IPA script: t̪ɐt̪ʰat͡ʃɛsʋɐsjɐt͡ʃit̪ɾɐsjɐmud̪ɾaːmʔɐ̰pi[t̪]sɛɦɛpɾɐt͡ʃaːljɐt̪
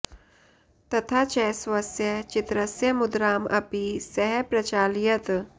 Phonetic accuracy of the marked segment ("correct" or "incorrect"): incorrect